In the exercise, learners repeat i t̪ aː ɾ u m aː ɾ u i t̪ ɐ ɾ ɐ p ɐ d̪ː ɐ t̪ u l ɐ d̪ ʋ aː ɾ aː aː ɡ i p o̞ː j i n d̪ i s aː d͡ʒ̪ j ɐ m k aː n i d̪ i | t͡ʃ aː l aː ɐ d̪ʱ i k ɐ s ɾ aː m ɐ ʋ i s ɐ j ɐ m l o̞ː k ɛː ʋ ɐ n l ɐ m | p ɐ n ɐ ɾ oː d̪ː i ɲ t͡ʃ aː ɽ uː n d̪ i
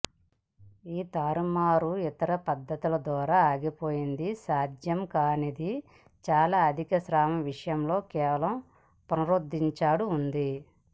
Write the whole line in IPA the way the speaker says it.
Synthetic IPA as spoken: iː t̪ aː ɾ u m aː ɾ u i t̪ ɐ ɾ ɐ p ɐ d̪ː ɐ t̪ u l ɐ d̪ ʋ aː ɾ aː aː ɡ i p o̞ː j i n d̪ i s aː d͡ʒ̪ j ɐ m k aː n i d̪ i | t͡ʃ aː l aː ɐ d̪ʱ i k ɐ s ɾ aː m ɐ ʋ i ʂ ɐ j ɐ m l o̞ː k ɛː ʋ ɐ l ɐ m | p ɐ n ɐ ɾ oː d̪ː i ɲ t͡ʃ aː ɽ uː n d̪ i